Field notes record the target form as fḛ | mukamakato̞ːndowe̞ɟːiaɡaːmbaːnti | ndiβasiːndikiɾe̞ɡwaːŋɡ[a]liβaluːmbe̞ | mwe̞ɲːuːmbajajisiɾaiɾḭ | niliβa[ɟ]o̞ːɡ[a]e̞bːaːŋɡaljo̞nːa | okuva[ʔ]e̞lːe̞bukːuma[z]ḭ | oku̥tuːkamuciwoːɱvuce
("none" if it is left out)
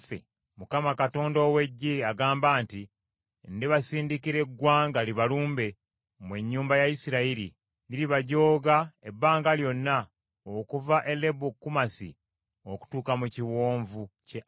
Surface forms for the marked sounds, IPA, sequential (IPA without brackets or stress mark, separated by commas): a, ɟ, a, ʔ, s